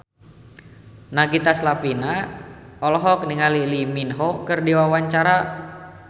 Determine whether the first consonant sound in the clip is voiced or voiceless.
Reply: voiced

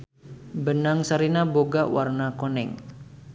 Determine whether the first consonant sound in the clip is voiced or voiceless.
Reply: voiced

